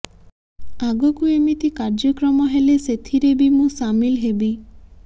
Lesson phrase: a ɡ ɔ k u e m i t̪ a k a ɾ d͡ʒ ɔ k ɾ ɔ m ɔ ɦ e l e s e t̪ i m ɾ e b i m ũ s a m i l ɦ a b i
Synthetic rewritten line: a ɡ ɔ k u e m i t̪ i k a ɾ d͡ʒ ɔ k ɾ ɔ m ɔ ɦ e l e s e t̪ʰ i ɾ e b i m ũ s a m i l ɦ e b i